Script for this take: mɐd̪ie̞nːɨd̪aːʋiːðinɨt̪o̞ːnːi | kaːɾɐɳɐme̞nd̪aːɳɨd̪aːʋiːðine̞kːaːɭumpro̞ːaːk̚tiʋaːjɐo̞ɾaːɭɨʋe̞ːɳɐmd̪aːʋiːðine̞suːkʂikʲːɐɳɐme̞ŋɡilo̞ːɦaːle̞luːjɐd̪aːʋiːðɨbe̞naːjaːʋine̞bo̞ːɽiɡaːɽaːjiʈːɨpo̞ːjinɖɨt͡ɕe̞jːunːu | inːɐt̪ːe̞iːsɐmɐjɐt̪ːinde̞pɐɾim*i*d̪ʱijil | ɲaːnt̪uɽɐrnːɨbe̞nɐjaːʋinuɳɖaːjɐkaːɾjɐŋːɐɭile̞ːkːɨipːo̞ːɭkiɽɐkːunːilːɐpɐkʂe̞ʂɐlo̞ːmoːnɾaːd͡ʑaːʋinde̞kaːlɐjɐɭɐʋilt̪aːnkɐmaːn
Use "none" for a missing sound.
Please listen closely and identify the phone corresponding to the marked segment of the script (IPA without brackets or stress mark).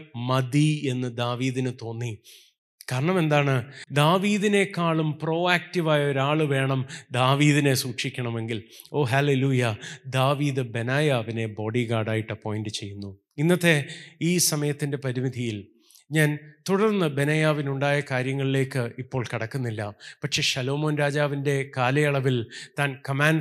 i